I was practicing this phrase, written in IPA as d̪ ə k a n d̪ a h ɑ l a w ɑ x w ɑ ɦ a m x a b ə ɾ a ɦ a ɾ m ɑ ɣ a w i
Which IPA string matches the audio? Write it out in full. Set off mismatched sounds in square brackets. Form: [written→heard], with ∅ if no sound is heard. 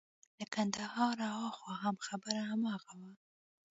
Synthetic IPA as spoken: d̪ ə k a n d̪ a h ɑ [l→ɾ] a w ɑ x w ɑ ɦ a m x a b ə ɾ a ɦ a [ɾ→∅] m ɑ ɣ a w [i→a]